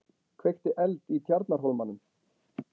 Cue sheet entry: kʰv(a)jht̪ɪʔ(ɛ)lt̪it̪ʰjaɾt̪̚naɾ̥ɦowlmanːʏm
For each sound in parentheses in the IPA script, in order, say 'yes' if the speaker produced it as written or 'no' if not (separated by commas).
no, yes